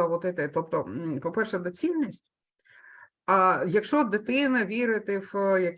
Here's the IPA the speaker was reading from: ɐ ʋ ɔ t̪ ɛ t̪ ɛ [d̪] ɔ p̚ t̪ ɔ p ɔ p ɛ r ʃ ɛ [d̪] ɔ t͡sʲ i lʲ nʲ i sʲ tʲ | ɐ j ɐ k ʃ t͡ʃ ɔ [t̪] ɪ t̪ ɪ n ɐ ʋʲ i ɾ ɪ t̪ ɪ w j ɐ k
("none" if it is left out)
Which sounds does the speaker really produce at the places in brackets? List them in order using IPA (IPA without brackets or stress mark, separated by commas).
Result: t̪, d̪, d̪